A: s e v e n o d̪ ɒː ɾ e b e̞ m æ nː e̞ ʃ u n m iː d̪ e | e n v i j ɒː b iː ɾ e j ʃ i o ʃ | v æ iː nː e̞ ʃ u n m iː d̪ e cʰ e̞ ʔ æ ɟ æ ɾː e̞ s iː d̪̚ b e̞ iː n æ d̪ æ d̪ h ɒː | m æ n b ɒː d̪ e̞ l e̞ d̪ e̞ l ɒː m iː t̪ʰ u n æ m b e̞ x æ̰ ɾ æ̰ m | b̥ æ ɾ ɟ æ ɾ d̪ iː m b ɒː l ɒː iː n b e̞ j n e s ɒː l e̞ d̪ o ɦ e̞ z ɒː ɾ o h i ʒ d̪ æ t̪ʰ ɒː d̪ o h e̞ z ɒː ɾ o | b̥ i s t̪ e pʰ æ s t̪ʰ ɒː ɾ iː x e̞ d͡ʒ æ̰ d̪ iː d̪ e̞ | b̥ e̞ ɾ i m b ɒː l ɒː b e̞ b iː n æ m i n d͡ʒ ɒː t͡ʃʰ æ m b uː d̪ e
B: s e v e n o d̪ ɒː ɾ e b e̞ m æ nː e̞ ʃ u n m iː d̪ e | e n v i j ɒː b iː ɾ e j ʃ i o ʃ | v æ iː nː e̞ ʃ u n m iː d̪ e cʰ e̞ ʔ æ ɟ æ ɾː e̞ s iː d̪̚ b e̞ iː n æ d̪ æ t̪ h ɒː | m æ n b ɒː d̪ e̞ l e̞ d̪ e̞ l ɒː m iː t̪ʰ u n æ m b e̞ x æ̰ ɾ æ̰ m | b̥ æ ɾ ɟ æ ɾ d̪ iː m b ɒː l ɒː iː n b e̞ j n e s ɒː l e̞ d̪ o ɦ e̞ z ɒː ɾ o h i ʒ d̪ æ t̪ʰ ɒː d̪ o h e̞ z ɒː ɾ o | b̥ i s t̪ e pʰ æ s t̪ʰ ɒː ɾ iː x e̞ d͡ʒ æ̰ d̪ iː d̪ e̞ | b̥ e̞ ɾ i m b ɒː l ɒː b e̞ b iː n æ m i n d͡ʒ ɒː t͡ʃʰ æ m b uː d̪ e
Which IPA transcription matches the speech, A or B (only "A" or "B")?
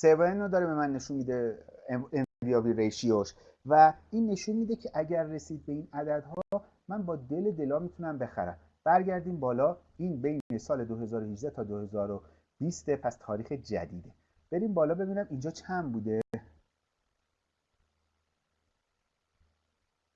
A